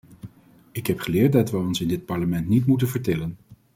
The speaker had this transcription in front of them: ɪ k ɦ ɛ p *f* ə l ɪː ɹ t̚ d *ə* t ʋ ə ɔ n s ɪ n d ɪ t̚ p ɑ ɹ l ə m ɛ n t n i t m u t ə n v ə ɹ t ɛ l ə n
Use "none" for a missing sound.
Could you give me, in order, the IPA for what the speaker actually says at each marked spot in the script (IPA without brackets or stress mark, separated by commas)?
χ, ɑ